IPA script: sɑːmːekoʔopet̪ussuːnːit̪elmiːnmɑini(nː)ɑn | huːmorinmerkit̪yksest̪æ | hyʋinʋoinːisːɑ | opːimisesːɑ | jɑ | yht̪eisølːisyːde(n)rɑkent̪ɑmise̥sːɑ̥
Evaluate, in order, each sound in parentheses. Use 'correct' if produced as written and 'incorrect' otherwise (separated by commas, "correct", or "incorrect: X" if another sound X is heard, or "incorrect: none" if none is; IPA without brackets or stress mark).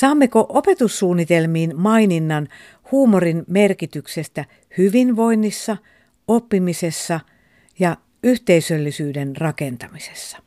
correct, correct